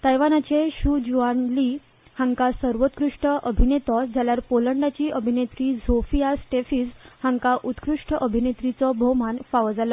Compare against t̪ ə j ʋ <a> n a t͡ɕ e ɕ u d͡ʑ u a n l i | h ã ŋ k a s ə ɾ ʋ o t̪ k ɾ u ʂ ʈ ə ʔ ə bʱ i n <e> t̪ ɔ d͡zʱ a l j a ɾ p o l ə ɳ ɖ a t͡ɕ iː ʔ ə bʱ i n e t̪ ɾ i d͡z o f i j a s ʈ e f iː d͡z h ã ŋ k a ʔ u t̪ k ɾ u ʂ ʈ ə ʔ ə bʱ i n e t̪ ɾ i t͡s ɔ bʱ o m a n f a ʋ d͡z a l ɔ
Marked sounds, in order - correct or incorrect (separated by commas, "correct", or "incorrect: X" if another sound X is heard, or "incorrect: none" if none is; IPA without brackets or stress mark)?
correct, correct